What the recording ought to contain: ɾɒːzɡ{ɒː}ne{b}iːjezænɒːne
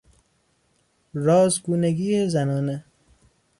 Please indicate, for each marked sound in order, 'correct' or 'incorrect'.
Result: incorrect, incorrect

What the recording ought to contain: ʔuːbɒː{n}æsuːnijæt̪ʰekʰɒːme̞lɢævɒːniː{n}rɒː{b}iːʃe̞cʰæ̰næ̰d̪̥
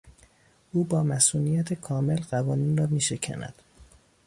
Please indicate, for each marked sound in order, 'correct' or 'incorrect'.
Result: incorrect, correct, incorrect

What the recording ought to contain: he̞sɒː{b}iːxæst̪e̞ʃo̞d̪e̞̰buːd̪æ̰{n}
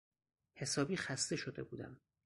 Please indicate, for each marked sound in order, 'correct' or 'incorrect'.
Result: correct, incorrect

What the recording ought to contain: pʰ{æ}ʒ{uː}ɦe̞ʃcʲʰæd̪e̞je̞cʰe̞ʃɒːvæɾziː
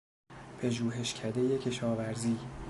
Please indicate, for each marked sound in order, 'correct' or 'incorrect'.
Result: incorrect, correct

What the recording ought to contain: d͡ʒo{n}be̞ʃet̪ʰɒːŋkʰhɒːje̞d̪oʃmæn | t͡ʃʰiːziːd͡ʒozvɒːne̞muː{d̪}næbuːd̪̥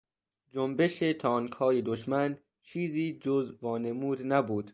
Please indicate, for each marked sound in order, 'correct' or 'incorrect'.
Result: incorrect, correct

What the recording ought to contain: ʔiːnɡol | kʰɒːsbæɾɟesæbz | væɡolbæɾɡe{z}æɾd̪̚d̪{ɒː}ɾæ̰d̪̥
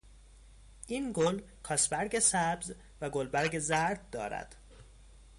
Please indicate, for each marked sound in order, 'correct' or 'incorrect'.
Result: correct, correct

